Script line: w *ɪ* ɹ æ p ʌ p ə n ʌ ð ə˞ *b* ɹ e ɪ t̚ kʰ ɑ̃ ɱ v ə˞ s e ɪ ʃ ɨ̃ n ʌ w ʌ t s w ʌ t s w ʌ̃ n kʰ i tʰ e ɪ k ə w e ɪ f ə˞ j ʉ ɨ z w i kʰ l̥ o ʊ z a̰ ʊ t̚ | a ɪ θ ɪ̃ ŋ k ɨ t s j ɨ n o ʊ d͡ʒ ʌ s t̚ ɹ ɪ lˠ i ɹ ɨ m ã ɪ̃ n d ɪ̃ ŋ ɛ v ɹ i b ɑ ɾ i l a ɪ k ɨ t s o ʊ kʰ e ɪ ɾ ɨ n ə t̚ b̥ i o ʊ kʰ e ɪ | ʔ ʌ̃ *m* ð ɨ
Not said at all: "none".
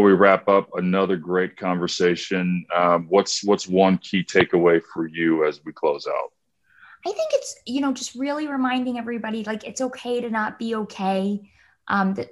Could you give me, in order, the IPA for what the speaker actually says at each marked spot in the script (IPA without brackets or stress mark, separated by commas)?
i, ɡ, m